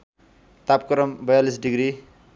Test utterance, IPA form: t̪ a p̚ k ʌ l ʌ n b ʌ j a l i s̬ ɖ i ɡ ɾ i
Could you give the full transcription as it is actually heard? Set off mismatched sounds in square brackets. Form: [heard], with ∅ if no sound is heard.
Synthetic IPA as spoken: t̪ a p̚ k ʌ [ɾ] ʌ [m] b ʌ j a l i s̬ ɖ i ɡ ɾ i